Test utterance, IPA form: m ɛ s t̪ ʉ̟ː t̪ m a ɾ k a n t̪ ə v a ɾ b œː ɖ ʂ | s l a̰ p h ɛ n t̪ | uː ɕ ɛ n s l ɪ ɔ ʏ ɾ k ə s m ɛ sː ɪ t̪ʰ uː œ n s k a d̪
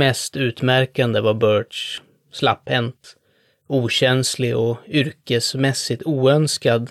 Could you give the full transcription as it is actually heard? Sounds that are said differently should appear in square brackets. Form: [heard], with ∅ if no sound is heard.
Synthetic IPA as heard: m ɛ s t̪ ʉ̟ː t̪ m [æ] ɾ k a n [d̪] ə v a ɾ b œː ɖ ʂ | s l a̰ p h ɛ n t̪ | uː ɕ ɛ n s l ɪ ɔ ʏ ɾ k ə s m ɛ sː ɪ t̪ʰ uː œ n s k a d̪